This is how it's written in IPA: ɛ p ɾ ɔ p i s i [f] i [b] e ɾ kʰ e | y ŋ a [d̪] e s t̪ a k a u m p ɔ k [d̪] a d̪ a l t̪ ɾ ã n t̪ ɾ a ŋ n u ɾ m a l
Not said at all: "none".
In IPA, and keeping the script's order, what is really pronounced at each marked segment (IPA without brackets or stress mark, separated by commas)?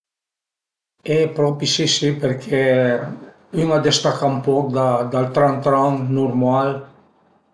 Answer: s, p, d̪, d̪